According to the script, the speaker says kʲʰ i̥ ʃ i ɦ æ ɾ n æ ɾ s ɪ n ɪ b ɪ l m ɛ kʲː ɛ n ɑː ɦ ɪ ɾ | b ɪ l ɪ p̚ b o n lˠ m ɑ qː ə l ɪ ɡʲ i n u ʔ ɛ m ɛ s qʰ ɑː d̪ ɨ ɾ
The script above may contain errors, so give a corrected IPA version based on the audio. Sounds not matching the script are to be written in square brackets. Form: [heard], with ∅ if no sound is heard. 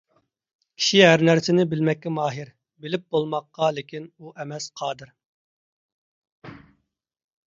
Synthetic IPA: kʲʰ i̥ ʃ i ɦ æ ɾ n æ ɾ s ɪ n ɪ b ɪ l m ɛ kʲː ɛ [m] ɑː ɦ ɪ ɾ | b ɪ l ɪ p̚ b o [∅] lˠ m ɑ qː [ɑ] l ɪ [kʲ] i n u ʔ ɛ m ɛ s qʰ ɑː d̪ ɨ ɾ